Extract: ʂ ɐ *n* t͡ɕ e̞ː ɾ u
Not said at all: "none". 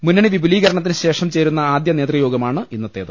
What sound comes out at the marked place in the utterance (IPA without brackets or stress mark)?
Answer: m